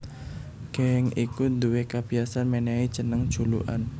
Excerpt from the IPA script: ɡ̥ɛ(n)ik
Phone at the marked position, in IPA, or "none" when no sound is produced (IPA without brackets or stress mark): ŋ